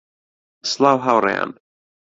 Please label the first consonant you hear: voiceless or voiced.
voiceless